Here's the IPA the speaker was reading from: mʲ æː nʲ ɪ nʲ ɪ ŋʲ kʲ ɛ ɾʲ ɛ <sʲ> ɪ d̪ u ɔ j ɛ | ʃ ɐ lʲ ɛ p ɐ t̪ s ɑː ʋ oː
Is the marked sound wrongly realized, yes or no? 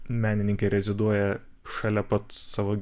yes